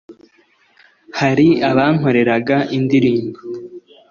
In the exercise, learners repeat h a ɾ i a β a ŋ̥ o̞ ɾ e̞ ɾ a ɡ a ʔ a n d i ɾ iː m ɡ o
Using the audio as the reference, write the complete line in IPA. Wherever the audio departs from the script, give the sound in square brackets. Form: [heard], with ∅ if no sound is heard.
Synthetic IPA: h a ɾ i a β a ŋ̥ o̞ ɾ e̞ ɾ a ɡ a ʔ [i] n d i ɾ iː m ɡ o